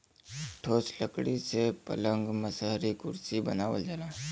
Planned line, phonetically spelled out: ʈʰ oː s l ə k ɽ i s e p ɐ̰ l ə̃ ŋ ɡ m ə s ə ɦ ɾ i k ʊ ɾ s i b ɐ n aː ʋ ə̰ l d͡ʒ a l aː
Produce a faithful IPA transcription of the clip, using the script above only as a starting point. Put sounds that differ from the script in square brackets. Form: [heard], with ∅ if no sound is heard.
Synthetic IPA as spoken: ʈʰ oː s l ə k ɽ i s e p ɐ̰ l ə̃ ŋ ɡ m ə s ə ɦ ɾ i k ʊ ɾ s i b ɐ n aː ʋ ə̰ l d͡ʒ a l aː